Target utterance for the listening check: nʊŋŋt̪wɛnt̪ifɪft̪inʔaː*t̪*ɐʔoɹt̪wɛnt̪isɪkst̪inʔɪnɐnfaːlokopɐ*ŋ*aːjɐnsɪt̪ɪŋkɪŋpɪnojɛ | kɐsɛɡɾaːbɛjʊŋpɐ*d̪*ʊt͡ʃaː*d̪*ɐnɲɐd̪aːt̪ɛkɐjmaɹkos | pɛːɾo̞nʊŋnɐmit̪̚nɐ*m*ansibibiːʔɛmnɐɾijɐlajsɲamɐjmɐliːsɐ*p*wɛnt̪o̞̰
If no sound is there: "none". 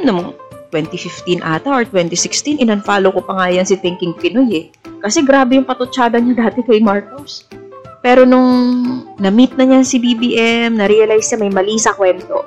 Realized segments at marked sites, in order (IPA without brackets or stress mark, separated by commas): t̪, ŋ, t̪, d̪, ɲ, k